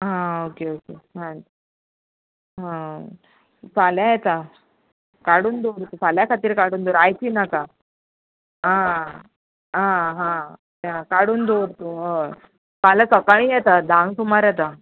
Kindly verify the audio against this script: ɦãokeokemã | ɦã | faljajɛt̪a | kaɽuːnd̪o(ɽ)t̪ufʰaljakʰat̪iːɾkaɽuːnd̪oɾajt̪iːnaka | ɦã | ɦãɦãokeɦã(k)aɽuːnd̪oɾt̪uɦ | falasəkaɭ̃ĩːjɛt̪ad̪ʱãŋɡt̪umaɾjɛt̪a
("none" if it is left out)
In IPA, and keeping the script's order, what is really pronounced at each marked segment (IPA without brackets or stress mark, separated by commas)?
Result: ɾ, k